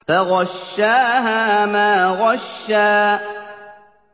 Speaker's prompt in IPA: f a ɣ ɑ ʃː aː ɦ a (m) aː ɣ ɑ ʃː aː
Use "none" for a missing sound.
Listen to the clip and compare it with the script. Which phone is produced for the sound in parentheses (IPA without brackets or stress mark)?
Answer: m